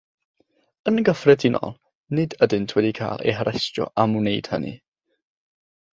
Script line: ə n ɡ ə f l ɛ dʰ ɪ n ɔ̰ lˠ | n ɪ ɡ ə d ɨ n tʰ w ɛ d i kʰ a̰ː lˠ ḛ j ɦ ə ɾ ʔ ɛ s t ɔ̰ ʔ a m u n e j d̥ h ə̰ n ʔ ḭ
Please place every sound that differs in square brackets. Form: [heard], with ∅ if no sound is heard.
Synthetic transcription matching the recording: ə n ɡ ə f [r] ɛ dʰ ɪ n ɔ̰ lˠ | n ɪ [d] ə d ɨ n tʰ w ɛ d i kʰ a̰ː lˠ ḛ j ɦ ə ɾ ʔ ɛ s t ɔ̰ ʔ a m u n e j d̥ h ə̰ n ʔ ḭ